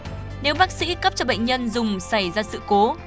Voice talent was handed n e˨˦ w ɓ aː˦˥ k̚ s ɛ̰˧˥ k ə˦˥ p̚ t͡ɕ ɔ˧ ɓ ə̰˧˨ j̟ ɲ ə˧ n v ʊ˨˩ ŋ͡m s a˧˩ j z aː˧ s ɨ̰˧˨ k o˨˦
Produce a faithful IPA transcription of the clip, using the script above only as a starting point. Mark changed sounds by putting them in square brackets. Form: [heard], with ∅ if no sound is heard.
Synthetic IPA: n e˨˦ w ɓ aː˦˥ k̚ s [ḭ˧˥] k ə˦˥ p̚ t͡ɕ ɔ˧ ɓ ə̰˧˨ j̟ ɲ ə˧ n [z] ʊ˨˩ ŋ͡m s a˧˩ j z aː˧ s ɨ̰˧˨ k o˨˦